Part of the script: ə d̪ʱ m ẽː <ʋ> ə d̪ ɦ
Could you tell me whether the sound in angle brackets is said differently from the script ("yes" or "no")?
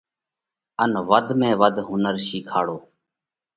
no